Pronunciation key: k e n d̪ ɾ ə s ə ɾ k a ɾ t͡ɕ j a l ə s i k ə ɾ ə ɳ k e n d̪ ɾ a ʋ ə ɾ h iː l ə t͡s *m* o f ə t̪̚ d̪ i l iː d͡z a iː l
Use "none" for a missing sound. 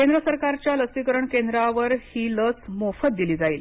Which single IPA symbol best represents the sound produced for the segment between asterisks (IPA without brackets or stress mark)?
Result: m